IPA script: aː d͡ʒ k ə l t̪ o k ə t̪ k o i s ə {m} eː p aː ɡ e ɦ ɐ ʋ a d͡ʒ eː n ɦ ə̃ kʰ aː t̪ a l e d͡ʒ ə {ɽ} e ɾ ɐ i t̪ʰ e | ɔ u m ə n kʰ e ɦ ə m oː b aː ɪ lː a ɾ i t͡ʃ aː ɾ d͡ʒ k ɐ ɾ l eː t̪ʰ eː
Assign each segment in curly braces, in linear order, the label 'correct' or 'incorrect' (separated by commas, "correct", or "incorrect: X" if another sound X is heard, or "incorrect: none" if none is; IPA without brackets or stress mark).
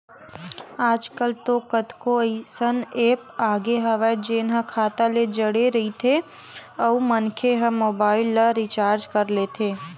incorrect: n, correct